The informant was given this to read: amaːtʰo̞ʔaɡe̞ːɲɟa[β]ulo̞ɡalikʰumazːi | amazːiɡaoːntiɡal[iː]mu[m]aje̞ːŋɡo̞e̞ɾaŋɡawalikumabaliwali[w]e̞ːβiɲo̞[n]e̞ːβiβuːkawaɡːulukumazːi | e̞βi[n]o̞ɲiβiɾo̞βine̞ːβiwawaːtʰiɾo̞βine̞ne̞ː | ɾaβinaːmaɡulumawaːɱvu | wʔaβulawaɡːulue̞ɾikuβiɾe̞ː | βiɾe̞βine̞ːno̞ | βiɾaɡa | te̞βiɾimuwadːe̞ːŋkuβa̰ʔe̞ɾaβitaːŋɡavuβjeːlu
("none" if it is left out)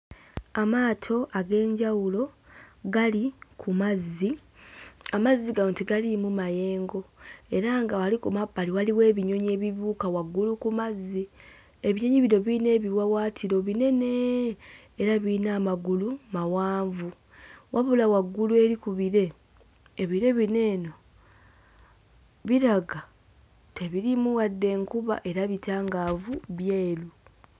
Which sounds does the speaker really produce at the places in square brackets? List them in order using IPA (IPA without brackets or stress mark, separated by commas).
w, i, m, w, ɲ, ɲ